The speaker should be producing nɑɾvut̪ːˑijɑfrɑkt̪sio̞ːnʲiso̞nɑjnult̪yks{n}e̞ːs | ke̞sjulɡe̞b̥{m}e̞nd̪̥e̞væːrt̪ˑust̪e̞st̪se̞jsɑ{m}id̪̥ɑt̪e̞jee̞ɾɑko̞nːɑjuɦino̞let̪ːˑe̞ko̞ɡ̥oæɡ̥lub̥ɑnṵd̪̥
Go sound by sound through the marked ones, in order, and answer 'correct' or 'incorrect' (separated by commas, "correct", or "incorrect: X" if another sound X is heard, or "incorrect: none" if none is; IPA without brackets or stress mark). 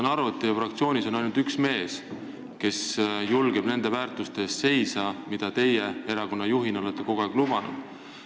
incorrect: m, incorrect: n, correct